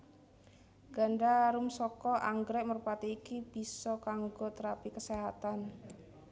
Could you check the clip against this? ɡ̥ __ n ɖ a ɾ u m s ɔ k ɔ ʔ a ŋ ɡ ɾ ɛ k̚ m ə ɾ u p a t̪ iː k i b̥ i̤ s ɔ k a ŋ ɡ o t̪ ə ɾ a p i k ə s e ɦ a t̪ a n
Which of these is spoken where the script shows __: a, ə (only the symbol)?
a